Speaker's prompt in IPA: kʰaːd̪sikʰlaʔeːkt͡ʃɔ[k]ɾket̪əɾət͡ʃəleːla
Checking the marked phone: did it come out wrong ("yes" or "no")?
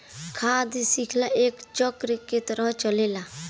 no